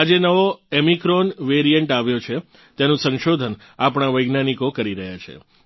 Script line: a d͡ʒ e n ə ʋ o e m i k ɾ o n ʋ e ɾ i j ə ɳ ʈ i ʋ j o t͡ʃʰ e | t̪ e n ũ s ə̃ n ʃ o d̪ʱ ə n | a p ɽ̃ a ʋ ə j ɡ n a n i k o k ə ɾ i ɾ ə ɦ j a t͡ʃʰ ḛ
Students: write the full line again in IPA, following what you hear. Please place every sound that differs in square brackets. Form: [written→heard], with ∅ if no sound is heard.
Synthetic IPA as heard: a d͡ʒ e n ə ʋ o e m i k ɾ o n ʋ e ɾ i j ə ɳ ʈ [i→a] ʋ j o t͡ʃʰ e | t̪ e n ũ s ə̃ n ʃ o d̪ʱ ə n | a p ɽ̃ a ʋ ə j ɡ n a n i k o k ə ɾ i ɾ ə ɦ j a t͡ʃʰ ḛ